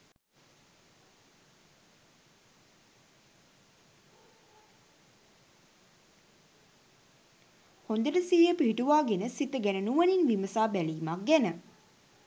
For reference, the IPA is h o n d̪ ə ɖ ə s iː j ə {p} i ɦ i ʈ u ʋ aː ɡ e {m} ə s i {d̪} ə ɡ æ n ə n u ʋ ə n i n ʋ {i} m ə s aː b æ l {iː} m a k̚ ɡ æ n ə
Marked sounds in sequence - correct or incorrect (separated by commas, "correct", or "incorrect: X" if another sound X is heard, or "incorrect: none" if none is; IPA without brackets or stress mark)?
correct, incorrect: n, incorrect: t̪, correct, correct